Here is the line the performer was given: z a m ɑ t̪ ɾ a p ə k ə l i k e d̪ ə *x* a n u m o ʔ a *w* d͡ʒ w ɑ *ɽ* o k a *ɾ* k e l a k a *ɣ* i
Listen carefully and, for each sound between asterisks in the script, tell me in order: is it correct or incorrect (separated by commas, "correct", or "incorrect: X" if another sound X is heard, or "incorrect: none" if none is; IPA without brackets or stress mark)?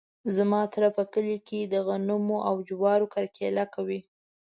incorrect: ɣ, correct, incorrect: ɾ, correct, incorrect: w